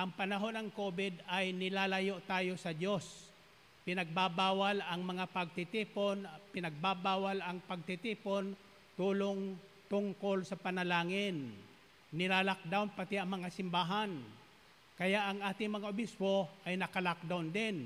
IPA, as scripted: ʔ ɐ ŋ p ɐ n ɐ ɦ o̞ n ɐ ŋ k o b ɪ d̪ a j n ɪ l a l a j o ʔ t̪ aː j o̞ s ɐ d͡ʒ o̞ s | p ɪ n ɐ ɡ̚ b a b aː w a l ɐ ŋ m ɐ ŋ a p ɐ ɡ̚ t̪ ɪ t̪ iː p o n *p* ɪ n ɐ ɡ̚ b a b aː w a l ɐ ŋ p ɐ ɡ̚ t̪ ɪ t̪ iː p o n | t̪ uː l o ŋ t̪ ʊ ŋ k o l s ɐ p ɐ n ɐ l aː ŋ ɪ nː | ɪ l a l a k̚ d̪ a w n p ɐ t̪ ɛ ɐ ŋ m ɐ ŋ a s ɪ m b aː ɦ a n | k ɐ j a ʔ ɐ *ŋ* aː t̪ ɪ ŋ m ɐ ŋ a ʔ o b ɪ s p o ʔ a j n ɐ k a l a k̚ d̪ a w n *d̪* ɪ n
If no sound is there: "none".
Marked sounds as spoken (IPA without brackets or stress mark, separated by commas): p, ŋ, d̪